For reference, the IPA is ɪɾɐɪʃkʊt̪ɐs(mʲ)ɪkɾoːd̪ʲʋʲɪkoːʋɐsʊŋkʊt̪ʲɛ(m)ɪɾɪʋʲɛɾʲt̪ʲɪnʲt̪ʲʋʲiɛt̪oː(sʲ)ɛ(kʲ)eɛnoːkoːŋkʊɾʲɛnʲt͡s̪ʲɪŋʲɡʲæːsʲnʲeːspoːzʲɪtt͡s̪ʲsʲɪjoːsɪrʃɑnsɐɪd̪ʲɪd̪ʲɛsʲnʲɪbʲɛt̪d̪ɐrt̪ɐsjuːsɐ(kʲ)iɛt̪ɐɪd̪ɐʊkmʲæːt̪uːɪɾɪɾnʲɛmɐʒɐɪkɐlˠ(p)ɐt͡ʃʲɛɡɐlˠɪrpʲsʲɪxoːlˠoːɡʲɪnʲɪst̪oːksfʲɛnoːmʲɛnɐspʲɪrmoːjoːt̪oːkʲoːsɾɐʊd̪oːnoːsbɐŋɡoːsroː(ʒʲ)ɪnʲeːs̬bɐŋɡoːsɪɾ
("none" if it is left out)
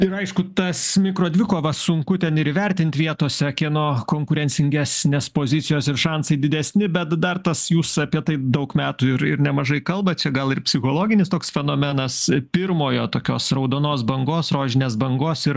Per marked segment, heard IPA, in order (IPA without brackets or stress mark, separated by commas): mʲ, n, sʲ, kʲ, pʲ, b, ʒʲ